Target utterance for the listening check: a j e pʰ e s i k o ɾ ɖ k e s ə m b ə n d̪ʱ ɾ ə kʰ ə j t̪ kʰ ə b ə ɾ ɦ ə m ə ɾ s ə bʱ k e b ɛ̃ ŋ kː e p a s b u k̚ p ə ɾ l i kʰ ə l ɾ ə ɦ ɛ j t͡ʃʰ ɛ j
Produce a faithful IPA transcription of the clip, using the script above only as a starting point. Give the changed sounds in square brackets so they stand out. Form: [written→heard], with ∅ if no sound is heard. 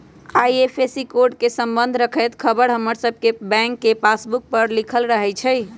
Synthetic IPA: a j e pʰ e s i k o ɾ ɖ k e s ə m b ə n d̪ʱ ɾ ə kʰ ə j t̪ kʰ ə b ə ɾ ɦ ə m ə ɾ s ə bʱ k e b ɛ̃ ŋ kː e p a s b u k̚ p ə ɾ l i kʰ ə l ɾ ə ɦ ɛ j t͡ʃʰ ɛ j